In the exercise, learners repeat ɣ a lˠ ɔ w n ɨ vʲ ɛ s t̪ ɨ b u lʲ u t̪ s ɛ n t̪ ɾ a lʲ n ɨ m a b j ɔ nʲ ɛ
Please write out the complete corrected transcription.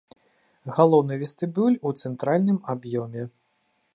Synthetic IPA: ɣ a lˠ ɔ w n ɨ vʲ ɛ s t̪ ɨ b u lʲ u t̪ s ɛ n t̪ ɾ a lʲ n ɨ m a b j ɔ mʲ ɛ